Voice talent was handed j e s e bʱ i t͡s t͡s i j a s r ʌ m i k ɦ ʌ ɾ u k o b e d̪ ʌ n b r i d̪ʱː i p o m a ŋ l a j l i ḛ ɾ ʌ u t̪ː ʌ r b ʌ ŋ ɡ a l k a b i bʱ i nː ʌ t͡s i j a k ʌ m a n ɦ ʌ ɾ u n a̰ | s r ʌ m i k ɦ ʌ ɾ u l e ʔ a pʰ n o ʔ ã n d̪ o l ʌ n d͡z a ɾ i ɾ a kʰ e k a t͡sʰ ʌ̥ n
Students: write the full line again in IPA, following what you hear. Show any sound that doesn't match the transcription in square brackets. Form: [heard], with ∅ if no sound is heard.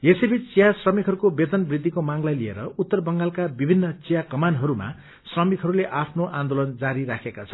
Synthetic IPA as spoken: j e s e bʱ i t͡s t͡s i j a s r ʌ m i k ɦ ʌ ɾ u k o b e d̪ ʌ n b r i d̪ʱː i [k] o m a ŋ l a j l i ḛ ɾ ʌ u t̪ː ʌ r b ʌ ŋ ɡ a l k a b i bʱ i nː ʌ t͡s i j a k ʌ m a n ɦ ʌ ɾ u [m] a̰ | s r ʌ m i k ɦ ʌ ɾ u l e ʔ a pʰ n o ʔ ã n d̪ o l ʌ n d͡z a ɾ i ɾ a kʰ e k a t͡sʰ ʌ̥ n